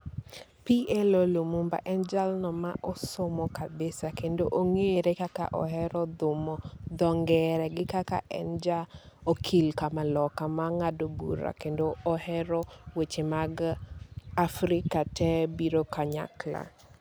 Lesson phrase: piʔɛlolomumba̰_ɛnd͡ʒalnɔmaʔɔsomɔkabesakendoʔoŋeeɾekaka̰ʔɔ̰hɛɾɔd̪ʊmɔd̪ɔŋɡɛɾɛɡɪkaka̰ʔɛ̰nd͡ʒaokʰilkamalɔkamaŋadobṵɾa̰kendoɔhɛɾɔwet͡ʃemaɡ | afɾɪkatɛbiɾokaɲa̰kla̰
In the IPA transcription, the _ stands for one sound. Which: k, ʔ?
ʔ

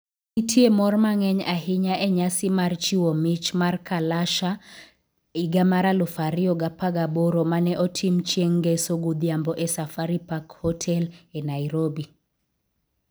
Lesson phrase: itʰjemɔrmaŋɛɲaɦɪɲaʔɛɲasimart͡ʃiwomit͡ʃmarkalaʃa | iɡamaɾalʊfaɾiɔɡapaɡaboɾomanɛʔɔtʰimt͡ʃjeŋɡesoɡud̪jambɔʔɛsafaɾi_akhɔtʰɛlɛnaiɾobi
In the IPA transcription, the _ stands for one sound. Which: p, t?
p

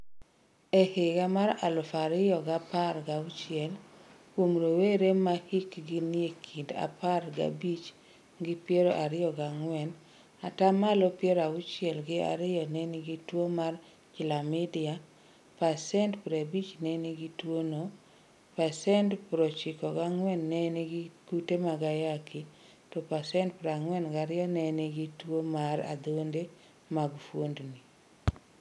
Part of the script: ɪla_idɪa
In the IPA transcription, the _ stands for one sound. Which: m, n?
m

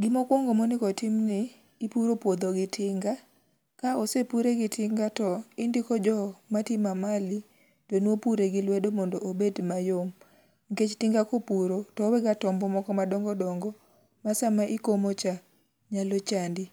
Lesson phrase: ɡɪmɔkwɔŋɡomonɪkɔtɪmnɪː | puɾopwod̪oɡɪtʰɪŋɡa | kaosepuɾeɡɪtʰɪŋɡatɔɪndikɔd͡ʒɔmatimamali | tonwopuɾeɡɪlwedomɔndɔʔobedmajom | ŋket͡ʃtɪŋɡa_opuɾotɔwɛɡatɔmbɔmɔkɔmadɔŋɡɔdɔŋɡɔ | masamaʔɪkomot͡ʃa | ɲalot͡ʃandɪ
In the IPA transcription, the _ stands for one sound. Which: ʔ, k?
k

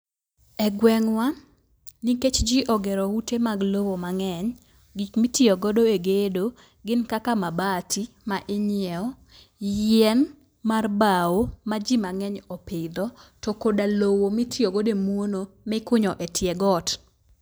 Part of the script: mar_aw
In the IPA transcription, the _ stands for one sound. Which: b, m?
b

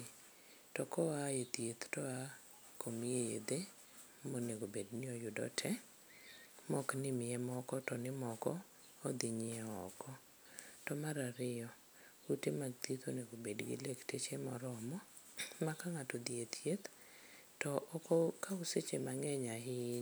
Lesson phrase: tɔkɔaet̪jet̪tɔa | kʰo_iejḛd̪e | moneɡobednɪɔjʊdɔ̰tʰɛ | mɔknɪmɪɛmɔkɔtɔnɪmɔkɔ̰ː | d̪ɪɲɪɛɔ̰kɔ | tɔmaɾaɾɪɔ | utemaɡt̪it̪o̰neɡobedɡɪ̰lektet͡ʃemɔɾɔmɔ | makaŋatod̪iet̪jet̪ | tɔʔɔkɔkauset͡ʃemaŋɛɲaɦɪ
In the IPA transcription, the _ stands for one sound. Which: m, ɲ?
m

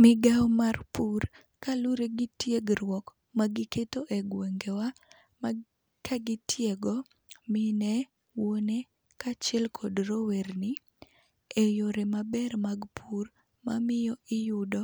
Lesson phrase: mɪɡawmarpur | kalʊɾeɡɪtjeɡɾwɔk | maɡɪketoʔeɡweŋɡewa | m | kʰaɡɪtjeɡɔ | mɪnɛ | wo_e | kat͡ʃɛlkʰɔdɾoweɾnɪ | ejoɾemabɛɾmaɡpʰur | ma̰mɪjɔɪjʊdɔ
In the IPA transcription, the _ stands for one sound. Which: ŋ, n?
n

